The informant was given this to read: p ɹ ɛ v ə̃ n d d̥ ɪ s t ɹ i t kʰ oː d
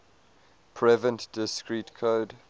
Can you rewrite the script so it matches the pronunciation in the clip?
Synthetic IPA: pʰ ɹ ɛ v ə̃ n t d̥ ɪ s k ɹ i t kʰ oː d